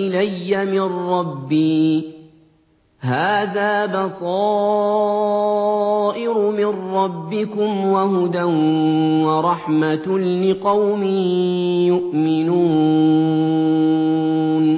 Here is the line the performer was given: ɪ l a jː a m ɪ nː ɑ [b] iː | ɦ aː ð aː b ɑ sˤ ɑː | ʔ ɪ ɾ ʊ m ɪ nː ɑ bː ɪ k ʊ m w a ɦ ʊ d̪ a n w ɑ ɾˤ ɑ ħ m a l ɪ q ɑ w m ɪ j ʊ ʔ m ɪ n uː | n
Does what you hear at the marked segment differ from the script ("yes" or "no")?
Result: yes